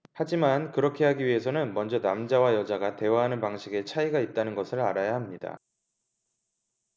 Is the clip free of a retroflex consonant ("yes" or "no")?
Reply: yes